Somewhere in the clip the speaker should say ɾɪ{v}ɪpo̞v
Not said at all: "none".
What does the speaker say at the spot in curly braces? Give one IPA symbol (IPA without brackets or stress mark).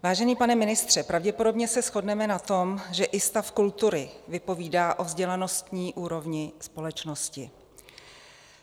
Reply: v